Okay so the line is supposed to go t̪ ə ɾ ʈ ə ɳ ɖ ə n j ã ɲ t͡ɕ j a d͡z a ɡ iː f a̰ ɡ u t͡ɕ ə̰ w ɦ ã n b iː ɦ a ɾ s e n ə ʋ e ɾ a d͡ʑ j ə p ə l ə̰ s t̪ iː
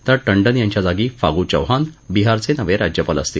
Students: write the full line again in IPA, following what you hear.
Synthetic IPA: t̪ ə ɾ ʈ ə ɳ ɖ ə n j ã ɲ t͡ɕ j a d͡z a ɡ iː f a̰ ɡ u t͡ɕ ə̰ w ɦ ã n b i ɦ a ɾ t͡s e n ə ʋ e ɾ a d͡ʑ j ə p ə l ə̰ s t̪ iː